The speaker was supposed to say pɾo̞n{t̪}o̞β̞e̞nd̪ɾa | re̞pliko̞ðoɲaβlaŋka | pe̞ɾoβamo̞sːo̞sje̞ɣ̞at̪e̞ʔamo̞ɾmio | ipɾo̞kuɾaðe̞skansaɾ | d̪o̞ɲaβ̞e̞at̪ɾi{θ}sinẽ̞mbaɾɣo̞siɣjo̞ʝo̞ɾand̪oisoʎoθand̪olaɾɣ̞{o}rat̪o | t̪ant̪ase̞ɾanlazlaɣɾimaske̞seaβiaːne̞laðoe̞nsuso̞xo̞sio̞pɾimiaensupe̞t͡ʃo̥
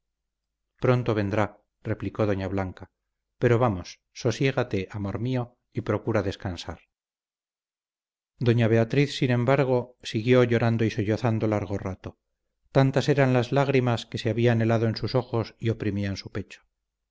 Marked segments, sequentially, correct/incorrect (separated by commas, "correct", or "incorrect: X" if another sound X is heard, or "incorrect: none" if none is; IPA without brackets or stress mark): correct, correct, correct